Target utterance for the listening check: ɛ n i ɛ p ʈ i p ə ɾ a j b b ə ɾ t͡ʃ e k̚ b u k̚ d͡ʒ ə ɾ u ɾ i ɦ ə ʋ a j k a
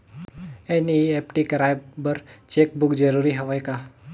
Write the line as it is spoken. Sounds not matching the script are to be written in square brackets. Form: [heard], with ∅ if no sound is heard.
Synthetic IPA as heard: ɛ n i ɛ p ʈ i [k] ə ɾ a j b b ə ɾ t͡ʃ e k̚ b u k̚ d͡ʒ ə ɾ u ɾ i ɦ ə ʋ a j k a